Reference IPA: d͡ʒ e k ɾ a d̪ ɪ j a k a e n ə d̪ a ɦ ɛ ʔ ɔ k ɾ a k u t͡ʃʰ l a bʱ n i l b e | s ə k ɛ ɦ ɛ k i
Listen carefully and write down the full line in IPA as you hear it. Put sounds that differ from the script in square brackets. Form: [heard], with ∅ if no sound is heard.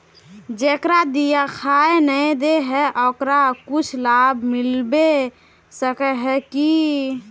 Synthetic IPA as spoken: d͡ʒ e k ɾ a d̪ [i] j a [kʰ] a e n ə d̪ [e] ɦ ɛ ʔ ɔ k ɾ a k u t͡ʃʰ l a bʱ [m] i l b e | s ə k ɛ ɦ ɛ k i